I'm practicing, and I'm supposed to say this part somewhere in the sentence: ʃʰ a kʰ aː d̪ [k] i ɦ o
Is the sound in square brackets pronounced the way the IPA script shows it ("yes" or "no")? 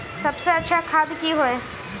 yes